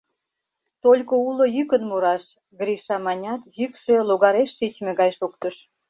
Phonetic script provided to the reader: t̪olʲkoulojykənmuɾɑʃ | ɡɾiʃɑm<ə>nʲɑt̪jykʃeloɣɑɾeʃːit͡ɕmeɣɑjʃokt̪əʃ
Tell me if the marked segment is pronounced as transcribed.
no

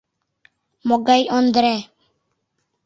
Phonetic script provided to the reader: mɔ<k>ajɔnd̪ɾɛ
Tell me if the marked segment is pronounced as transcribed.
no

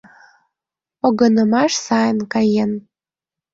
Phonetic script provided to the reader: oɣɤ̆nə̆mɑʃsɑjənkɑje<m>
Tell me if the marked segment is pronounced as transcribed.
no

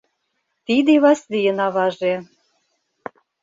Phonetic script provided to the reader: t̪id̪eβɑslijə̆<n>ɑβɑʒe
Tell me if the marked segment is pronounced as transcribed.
yes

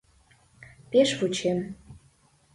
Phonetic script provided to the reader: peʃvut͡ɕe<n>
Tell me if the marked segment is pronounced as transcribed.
no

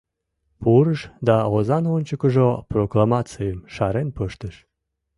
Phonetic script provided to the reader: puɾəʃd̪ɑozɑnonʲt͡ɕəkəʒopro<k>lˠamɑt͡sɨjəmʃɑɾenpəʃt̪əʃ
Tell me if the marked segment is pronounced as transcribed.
yes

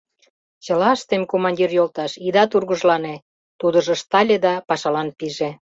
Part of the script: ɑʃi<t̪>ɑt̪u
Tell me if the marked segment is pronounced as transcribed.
no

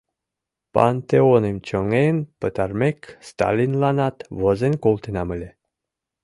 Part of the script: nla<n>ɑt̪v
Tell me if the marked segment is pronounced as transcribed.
yes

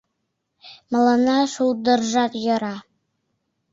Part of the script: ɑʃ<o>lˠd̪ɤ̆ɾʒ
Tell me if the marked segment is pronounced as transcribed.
no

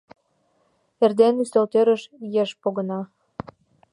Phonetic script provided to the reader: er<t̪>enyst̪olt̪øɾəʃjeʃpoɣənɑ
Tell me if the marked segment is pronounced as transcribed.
no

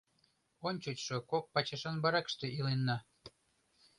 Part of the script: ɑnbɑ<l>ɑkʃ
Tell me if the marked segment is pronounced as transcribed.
no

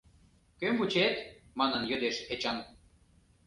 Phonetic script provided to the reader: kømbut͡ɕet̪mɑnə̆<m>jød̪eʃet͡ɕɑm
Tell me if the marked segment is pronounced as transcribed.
no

